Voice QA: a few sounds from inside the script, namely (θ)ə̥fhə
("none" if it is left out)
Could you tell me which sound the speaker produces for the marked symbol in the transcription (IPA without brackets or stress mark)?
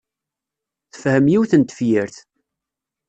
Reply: θ